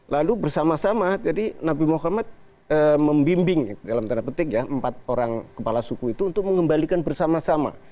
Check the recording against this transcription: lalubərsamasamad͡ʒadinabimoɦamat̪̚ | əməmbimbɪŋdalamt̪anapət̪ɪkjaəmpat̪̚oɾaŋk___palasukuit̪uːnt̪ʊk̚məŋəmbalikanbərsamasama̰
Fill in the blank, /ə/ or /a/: ə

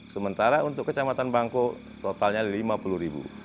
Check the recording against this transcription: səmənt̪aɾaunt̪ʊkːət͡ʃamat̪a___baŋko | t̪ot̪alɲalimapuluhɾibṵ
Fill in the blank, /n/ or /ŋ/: n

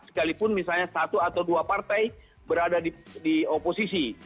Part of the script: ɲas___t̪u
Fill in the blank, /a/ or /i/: a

